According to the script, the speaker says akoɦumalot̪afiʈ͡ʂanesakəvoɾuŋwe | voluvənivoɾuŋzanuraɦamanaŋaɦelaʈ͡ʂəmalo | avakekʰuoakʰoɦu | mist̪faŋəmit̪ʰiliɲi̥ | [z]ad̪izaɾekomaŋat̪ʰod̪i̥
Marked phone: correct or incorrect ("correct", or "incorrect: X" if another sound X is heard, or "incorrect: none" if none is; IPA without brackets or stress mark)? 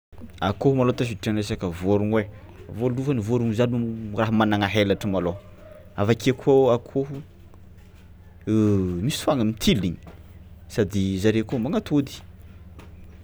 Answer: incorrect: s